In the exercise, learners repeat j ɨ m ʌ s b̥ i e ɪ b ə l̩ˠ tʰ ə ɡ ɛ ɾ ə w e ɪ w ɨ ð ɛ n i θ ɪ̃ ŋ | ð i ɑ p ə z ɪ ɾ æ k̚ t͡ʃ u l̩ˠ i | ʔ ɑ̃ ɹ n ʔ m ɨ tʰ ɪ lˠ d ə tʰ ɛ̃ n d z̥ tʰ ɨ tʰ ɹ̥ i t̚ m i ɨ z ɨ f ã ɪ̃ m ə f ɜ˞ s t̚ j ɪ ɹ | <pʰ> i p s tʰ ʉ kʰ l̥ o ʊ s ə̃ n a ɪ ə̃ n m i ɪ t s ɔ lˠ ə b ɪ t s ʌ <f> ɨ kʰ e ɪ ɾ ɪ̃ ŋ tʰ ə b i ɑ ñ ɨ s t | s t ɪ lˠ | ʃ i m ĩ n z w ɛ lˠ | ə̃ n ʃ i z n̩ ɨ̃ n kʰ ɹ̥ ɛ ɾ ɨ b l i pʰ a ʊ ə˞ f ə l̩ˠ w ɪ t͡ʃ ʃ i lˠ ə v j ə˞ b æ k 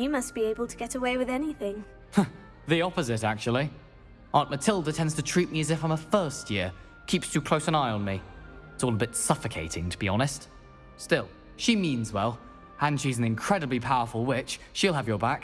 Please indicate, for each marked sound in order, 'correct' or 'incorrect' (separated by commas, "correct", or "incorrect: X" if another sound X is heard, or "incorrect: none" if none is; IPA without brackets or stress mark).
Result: incorrect: kʰ, correct